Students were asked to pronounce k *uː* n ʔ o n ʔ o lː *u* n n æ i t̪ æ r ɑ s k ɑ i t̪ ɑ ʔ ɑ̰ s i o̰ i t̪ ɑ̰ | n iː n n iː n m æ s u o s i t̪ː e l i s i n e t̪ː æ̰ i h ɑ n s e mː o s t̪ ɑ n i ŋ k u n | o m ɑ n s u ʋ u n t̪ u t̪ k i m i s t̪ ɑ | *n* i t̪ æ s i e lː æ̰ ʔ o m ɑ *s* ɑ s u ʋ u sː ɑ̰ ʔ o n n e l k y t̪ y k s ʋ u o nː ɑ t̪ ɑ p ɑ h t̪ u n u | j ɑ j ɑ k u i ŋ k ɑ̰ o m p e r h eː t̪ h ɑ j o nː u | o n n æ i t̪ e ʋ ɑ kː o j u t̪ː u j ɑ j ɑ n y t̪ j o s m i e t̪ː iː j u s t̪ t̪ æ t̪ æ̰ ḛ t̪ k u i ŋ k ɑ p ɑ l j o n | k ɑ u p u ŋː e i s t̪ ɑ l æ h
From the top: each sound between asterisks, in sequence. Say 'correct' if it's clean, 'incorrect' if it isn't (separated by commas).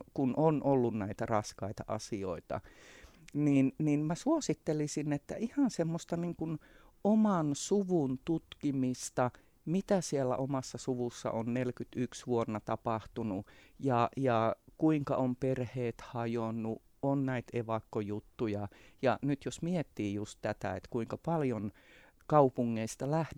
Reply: incorrect, correct, incorrect, incorrect